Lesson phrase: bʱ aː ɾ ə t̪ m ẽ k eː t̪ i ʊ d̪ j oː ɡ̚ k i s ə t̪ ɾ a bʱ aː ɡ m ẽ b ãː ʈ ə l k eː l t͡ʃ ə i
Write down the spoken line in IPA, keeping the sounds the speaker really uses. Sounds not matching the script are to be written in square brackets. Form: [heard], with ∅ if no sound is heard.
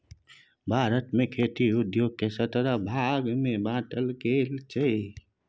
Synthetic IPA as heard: bʱ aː ɾ ə t̪ m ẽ [kʰ] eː t̪ i ʊ d̪ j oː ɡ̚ k [e] s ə t̪ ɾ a bʱ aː ɡ m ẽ b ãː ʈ ə l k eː l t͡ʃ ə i